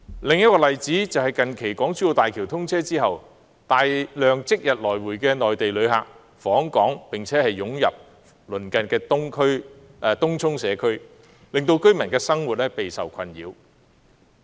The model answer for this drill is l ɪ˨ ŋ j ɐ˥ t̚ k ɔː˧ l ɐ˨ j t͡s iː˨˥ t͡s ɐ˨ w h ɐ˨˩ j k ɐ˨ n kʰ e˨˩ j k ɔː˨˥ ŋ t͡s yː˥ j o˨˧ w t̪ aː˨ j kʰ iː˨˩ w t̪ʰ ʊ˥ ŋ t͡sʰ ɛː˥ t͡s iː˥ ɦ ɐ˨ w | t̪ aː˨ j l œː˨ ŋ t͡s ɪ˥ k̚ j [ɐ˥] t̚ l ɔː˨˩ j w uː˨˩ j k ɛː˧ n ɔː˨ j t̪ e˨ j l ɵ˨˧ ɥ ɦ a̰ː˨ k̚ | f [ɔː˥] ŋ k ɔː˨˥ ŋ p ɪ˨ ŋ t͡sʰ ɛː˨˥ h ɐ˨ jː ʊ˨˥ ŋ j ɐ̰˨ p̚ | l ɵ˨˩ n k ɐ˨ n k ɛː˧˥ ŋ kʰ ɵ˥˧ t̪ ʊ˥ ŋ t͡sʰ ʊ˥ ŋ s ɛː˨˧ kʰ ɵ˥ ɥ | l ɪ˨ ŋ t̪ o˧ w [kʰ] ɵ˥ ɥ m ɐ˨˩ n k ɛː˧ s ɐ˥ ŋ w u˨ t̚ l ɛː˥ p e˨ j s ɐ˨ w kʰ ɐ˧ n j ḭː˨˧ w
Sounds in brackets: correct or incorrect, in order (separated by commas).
incorrect, incorrect, incorrect